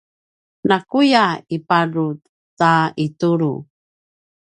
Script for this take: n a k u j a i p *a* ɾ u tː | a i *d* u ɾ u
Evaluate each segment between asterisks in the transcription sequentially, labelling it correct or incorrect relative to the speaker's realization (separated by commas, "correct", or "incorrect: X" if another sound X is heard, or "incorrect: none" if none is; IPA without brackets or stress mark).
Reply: correct, incorrect: t